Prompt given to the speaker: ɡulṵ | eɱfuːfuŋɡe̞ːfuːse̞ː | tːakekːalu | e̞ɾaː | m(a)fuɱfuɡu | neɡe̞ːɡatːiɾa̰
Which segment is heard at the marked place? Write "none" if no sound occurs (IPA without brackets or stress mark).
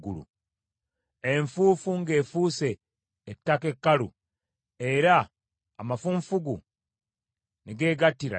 a